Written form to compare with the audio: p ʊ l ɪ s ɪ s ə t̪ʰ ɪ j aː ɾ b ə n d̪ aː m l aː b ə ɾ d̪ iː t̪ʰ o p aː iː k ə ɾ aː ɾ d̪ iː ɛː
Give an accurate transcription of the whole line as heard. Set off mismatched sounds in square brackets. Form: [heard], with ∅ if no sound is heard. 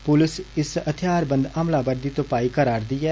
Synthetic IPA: p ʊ l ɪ s ɪ s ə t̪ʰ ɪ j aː ɾ b ə n d̪ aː m l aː b ə ɾ d̪ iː [t̪] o p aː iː k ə ɾ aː ɾ d̪ iː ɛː